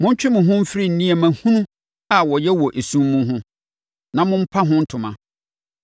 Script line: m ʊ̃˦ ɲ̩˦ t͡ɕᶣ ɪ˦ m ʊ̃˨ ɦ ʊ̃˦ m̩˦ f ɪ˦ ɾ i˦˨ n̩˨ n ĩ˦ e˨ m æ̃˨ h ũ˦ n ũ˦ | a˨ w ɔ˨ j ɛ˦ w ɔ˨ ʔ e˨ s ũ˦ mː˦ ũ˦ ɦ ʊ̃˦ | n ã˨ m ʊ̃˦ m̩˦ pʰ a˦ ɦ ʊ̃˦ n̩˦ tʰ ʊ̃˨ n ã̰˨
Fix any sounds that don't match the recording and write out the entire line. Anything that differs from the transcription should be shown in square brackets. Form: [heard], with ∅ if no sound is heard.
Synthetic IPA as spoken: m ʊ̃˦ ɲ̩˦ t͡ɕᶣ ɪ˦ m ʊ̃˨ ɦ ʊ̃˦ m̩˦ f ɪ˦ ɾ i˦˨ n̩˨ n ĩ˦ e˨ m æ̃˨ h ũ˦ n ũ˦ | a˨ w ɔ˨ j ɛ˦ w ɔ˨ ʔ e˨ s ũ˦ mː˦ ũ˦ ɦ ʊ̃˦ | n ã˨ m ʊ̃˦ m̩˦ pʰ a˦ ɦ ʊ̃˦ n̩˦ tʰ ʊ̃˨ [m] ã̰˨